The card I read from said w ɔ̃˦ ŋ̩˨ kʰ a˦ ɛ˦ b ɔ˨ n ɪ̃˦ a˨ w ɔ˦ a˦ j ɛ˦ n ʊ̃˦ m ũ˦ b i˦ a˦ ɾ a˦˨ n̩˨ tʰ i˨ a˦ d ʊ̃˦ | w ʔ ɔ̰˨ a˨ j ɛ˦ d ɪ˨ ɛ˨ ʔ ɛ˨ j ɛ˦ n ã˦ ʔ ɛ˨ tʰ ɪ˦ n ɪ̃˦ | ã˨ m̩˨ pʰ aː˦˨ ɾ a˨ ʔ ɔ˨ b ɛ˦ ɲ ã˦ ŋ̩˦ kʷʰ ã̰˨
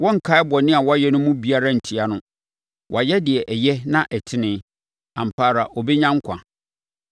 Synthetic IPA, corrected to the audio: w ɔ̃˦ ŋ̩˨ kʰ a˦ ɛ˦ b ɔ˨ n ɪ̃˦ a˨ w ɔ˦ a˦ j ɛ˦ n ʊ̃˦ m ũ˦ b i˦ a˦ ɾ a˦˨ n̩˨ tʰ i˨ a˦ n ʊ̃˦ | w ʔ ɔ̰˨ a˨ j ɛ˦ d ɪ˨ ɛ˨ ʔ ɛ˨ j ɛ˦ n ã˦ ʔ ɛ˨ tʰ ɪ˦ n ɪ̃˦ | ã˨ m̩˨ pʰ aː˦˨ ɾ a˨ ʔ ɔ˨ b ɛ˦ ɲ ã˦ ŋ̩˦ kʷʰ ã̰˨